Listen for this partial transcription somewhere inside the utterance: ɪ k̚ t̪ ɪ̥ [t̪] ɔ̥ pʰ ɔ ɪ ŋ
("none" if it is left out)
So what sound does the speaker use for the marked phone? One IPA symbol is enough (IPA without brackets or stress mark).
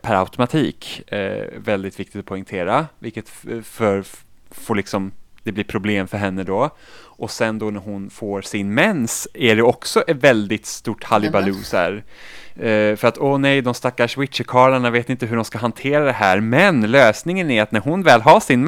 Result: t̪